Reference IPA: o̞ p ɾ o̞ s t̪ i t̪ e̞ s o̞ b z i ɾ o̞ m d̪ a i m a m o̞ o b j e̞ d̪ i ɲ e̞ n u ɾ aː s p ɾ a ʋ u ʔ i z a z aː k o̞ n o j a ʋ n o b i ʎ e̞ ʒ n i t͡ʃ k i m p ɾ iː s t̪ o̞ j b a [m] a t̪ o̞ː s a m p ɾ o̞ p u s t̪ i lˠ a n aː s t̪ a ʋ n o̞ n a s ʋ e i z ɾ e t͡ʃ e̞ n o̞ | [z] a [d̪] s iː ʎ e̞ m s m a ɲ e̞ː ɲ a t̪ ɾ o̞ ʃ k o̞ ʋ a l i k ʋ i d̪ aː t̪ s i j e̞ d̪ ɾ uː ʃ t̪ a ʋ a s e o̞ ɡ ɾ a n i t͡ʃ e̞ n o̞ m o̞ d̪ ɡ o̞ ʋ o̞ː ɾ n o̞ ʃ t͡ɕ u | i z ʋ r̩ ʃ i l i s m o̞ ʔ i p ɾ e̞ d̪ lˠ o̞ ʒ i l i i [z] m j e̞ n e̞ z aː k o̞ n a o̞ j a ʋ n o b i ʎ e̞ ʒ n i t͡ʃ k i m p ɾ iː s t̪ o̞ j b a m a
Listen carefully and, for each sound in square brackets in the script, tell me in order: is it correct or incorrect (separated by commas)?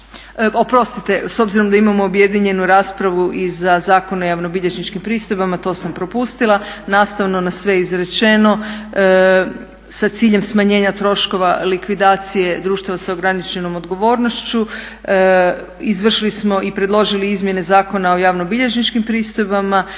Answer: correct, incorrect, incorrect, correct